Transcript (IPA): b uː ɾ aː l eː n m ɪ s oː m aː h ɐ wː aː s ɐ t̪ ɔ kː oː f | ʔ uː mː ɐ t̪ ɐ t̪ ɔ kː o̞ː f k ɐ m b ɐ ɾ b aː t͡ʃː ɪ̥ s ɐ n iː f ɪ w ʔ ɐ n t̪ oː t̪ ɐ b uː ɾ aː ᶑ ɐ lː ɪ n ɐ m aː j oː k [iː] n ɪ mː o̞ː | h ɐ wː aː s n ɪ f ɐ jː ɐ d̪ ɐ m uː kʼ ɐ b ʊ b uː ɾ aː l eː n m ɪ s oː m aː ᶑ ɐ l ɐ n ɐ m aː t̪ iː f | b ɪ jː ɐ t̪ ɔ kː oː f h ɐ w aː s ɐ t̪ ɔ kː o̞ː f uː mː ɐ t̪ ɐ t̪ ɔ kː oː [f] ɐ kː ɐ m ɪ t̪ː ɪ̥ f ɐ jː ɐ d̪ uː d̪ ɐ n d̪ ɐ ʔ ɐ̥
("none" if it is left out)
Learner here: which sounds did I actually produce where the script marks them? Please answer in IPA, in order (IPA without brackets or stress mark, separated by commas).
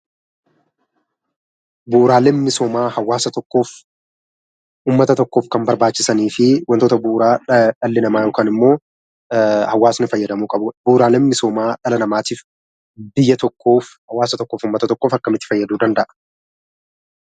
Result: aː, f